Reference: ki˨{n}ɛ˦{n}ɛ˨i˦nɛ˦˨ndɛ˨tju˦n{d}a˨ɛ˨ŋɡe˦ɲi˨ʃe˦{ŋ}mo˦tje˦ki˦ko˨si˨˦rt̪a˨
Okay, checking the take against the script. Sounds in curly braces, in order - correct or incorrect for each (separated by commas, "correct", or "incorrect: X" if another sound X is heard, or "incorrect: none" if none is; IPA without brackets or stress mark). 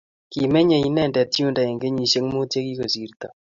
incorrect: m, incorrect: ɲ, correct, correct